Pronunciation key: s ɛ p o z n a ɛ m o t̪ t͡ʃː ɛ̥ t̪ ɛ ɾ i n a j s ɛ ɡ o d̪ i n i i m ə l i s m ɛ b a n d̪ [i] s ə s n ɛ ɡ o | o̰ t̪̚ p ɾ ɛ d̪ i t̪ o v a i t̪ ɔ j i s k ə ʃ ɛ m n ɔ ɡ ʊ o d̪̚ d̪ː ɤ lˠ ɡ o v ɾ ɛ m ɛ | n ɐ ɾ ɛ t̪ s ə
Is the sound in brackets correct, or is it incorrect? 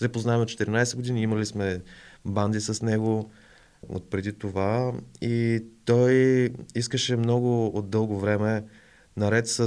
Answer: correct